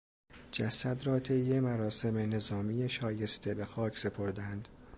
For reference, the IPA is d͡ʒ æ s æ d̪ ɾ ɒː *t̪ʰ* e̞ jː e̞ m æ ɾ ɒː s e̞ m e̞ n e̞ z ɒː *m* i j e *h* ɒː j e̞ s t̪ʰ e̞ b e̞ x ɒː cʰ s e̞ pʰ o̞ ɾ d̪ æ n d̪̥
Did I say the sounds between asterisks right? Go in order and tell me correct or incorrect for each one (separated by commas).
correct, correct, incorrect